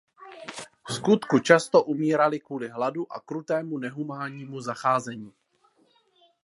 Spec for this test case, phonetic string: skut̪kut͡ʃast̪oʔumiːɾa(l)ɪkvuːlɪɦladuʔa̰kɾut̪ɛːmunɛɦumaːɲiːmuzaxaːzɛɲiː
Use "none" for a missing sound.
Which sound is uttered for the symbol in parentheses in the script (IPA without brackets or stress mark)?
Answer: l